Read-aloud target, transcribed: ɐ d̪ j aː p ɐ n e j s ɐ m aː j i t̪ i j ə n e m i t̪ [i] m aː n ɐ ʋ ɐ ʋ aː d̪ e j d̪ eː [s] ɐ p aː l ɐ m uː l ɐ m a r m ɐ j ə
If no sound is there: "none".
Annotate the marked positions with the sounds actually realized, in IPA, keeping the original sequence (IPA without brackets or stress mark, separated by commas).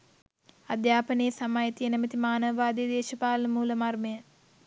i, ʃ